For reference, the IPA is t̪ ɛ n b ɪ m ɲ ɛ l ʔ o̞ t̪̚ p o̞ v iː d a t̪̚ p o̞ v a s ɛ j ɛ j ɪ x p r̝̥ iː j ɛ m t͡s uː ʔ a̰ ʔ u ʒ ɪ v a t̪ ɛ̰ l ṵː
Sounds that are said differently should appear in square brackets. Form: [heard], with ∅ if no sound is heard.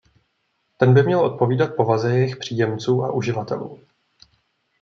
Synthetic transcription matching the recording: t̪ ɛ n b ɪ m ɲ ɛ l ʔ o̞ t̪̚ p o̞ v iː d a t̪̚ p o̞ v a [z] ɛ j ɛ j ɪ x p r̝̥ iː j ɛ m t͡s uː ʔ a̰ ʔ u ʒ ɪ v a t̪ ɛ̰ l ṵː